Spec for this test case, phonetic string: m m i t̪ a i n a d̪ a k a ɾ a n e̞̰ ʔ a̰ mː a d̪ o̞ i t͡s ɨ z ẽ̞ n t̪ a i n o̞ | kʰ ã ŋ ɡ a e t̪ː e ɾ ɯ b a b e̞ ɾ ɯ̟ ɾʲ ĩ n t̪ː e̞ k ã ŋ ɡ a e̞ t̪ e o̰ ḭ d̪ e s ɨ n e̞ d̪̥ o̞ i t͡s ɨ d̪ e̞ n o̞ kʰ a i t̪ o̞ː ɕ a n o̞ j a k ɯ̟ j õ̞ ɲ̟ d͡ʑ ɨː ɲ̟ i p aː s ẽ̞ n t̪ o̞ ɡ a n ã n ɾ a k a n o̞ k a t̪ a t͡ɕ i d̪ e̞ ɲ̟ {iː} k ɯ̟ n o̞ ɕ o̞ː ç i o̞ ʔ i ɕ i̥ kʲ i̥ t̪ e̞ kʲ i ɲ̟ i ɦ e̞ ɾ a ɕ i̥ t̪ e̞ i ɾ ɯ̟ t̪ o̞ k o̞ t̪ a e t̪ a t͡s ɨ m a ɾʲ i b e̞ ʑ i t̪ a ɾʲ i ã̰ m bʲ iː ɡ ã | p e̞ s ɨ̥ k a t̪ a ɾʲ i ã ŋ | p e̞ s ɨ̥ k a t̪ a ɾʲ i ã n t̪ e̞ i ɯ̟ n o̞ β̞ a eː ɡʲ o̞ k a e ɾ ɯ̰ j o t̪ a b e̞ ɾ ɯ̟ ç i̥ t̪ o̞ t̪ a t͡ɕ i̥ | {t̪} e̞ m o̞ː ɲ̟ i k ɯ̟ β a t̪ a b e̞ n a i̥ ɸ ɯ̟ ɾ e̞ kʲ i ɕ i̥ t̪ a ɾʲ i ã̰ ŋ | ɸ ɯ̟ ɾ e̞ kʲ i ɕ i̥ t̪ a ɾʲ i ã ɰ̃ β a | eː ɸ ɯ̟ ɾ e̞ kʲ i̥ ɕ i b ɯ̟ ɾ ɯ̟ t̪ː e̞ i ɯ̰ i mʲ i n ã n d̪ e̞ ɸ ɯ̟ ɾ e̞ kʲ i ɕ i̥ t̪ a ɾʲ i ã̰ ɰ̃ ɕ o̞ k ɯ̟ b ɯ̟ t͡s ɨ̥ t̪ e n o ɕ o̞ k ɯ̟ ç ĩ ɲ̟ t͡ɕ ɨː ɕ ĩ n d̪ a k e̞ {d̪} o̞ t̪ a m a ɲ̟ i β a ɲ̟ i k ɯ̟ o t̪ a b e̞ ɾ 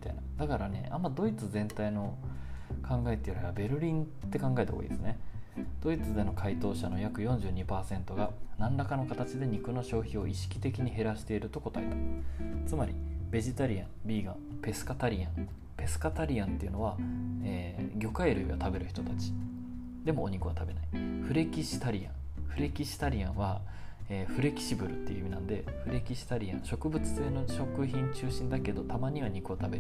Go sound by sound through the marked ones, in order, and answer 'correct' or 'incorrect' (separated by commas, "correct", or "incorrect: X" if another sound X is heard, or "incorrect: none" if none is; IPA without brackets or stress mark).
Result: incorrect: i, incorrect: d̪, correct